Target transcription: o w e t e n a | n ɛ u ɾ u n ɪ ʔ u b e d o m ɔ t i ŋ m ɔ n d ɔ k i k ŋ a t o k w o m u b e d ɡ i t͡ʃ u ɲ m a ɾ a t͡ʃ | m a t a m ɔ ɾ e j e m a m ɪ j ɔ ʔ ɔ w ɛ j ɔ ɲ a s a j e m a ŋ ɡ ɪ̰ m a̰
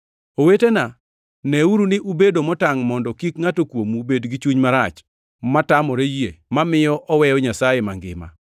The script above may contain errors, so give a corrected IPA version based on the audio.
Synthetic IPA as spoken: o w e t e n a | n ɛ u ɾ u n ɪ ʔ u b e d o m ɔ t a ŋ m ɔ n d ɔ k i k ŋ a t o k w o m u b e d ɡ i t͡ʃ u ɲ m a ɾ a t͡ʃ | m a t a m ɔ ɾ e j e m a m ɪ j ɔ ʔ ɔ w ɛ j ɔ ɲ a s a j e m a ŋ ɡ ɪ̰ m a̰

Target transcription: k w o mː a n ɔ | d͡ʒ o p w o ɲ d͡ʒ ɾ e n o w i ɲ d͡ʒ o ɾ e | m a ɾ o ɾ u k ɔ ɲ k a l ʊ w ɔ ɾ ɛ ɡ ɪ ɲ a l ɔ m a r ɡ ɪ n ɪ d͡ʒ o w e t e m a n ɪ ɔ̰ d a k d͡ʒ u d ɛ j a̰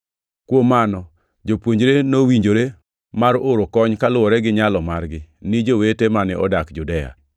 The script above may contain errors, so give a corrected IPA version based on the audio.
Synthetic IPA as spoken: k w o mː a n ɔ | d͡ʒ o p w o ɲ d͡ʒ ɾ e n o w i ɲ d͡ʒ o ɾ e | m a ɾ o ɾ o k ɔ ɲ k a l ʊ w ɔ ɾ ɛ ɡ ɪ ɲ a l ɔ m a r ɡ ɪ n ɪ d͡ʒ o w e t e m a n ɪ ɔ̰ d a k d͡ʒ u d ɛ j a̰

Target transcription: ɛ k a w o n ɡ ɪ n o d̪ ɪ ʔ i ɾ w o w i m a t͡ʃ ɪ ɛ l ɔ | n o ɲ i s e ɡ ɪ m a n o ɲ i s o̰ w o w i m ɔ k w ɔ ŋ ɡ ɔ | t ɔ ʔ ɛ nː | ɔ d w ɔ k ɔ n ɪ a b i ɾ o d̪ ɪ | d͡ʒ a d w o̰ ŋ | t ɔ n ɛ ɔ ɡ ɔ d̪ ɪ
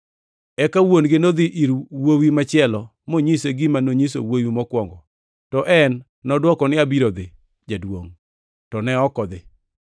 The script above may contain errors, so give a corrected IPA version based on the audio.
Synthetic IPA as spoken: ɛ k a w o n ɡ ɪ n o d̪ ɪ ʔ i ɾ w o w i m a t͡ʃ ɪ ɛ l ɔ | m o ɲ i s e ɡ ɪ m a n o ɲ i s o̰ w o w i m ɔ k w ɔ ŋ ɡ ɔ | t ɔ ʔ ɛ nː | ɔ d w ɔ k ɔ n ɪ a b i ɾ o d̪ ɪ | d͡ʒ a d w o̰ ŋ | t ɔ n ɛ ɔ k ɔ d̪ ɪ

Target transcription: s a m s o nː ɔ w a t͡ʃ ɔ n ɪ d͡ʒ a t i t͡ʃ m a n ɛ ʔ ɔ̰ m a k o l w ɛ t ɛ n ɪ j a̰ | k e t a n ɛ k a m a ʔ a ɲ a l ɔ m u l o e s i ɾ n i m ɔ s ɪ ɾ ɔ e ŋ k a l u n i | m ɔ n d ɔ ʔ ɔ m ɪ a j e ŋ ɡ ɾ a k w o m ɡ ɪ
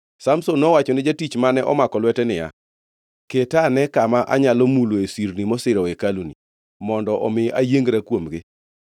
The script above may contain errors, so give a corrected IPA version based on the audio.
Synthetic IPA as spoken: s a m s o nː ɔ w a t͡ʃ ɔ n ɪ d͡ʒ a t i t͡ʃ m a n ɛ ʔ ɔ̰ m a k ɔ l w ɛ t ɛ n ɪ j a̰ | k e t a n ɛ k a m a ʔ a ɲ a l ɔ m u l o e s i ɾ n i m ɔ s ɪ ɾ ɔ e k a l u n i | m ɔ n d ɔ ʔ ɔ m ɪ a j e ŋ ɡ ɾ a k w o m ɡ ɪ

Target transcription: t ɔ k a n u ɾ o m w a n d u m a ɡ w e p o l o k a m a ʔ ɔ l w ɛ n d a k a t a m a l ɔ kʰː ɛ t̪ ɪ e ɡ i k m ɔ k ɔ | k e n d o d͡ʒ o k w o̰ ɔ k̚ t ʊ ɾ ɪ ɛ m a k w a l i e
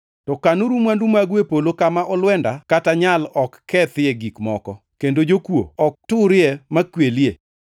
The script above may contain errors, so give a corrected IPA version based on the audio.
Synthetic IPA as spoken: t ɔ k a n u ɾ u m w a n d u m a ɡ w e p o l o k a m a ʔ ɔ l w ɛ n d a k a t a ɲ a l ɔ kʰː ɛ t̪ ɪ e ɡ i k m ɔ k ɔ | k e n d o d͡ʒ o k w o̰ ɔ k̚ t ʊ ɾ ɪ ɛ m a k w e l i e

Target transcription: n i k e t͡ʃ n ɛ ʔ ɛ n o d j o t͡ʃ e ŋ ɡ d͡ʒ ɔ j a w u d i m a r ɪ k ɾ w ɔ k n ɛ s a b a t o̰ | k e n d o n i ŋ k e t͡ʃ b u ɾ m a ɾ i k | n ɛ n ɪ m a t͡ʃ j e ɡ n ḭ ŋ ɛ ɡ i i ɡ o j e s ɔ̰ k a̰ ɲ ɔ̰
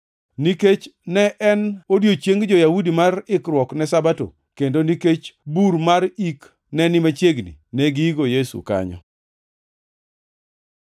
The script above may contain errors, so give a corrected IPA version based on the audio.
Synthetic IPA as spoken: n i k e t͡ʃ n ɛ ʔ ɛ n o d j o t͡ʃ e ŋ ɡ d͡ʒ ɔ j a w u d i m a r ɪ k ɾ w ɔ k n ɛ s a b a t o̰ | k e n d o n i k e t͡ʃ b u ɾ m a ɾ i k | n ɛ n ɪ m a t͡ʃ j e ɡ n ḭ n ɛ ɡ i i ɡ o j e s ṵ k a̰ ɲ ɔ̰

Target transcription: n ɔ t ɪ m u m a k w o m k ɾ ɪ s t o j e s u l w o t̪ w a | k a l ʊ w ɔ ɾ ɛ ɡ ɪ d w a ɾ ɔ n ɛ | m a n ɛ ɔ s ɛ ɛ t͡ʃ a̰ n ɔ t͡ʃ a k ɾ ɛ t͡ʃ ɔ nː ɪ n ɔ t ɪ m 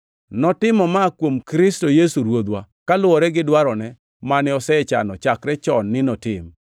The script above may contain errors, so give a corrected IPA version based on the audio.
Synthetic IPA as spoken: n ɔ t ɪ m ɔ m a k w o m k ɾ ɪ s t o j e s u ɾ w o d̪ w a | k a l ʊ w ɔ ɾ ɛ ɡ ɪ d w a ɾ ɔ n ɛ | m a n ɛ ɔ s ɛ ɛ t͡ʃ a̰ n ɔ t͡ʃ a k ɾ ɛ t͡ʃ ɔ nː ɪ n ɔ t ɪ m

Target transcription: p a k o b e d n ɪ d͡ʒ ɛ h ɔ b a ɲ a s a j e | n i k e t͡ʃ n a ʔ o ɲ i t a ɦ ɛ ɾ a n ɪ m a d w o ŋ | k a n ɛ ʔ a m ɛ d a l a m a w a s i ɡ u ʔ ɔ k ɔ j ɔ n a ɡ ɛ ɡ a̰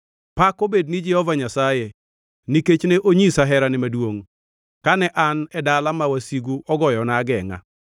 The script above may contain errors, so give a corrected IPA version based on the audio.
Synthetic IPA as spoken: p a k o b e d n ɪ d͡ʒ ɛ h ɔ v a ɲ a s a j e | n i k e t͡ʃ n e ʔ o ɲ i s a ɦ ɛ ɾ a n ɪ m a d w o ŋ | k a n ɛ ʔ a n ɛ d a l a m a w a s i ɡ u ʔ ɔ ɡ ɔ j ɔ n a ɡ ɛ ŋ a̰

